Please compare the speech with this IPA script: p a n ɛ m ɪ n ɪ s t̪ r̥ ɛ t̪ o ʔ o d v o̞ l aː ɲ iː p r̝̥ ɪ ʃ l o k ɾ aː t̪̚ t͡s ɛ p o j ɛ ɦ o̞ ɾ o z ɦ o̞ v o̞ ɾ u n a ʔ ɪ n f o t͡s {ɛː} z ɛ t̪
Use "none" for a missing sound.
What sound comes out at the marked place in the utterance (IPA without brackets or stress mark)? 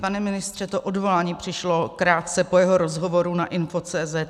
ɛː